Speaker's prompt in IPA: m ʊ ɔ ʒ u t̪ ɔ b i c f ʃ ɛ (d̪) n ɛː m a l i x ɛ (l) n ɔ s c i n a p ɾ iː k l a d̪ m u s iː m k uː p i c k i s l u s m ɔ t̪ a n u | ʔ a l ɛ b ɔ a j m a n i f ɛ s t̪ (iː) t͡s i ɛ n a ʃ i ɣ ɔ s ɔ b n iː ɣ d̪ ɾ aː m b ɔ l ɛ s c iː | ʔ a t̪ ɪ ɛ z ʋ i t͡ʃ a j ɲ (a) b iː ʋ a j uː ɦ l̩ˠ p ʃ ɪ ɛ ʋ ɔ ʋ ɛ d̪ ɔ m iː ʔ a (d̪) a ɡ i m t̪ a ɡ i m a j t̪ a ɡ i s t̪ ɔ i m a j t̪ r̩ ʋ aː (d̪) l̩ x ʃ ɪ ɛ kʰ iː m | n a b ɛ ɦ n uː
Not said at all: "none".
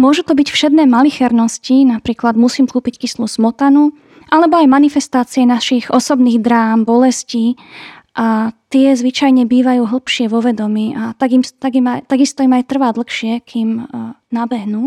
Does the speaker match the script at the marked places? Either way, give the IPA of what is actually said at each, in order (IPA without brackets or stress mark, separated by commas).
d̪, ɾ, aː, ɛ, t̪, d̪